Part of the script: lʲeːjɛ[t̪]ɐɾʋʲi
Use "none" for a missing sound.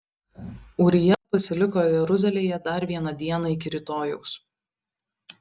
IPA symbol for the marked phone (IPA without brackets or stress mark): d̪